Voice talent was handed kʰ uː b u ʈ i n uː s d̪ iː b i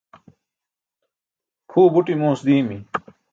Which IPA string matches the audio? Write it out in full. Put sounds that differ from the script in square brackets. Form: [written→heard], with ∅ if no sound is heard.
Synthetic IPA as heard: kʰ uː b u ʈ i [n→m] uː s d̪ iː [b→m] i